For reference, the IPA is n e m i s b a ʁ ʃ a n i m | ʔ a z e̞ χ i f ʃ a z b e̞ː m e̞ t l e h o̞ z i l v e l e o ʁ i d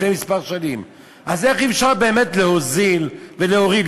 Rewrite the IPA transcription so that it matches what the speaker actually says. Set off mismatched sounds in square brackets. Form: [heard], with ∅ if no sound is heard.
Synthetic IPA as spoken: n e m i s [p] a ʁ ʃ a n i m | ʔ a z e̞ χ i f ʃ a [ʁ] b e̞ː m e̞ t l e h o̞ z i l v e l e o ʁ i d